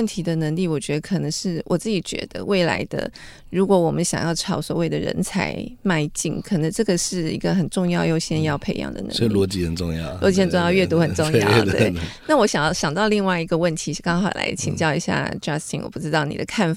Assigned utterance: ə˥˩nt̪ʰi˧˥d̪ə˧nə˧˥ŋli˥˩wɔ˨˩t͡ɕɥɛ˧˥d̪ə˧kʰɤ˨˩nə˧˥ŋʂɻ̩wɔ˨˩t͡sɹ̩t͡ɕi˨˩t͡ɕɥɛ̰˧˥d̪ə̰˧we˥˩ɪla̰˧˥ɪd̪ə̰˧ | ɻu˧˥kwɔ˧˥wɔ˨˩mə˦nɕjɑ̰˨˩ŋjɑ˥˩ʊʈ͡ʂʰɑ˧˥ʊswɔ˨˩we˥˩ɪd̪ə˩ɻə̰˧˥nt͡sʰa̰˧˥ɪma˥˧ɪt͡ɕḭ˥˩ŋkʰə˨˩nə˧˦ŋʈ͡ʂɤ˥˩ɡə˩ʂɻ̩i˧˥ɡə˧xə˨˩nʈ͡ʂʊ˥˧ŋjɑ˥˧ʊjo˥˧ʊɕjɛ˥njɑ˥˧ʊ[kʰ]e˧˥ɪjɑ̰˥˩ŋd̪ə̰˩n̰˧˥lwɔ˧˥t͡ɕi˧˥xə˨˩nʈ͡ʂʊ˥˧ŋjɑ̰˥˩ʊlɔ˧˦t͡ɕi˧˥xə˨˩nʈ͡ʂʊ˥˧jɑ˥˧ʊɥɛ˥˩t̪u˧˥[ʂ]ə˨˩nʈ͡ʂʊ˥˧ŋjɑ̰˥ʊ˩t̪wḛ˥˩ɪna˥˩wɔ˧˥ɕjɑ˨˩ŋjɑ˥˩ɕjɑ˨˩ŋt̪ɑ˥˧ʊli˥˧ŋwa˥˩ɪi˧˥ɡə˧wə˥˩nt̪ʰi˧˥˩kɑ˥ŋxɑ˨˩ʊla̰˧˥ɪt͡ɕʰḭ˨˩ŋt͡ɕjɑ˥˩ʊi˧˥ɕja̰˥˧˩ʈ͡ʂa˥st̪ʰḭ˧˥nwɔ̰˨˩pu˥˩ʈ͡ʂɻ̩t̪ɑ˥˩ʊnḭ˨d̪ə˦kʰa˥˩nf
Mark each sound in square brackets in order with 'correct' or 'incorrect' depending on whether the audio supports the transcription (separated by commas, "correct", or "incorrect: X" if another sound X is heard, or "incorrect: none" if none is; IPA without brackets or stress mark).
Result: incorrect: pʰ, incorrect: x